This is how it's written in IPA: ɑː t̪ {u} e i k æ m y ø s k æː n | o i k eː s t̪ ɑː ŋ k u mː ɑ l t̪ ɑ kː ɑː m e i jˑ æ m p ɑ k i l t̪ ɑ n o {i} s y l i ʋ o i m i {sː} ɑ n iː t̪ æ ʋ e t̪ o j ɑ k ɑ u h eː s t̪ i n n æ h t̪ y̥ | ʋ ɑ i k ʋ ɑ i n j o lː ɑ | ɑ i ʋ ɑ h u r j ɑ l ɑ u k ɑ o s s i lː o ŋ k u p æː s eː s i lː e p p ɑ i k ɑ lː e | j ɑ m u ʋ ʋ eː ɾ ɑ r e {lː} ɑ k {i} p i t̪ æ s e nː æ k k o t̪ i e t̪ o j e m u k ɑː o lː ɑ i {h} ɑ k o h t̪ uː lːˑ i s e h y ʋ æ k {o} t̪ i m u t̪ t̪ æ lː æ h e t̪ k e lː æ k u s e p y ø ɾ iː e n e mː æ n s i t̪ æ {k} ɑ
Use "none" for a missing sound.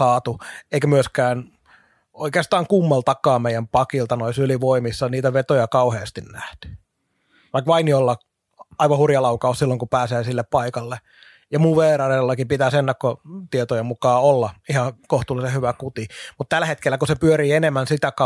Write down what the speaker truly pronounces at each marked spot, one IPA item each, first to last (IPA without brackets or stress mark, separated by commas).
u, i, sː, lː, i, h, u, k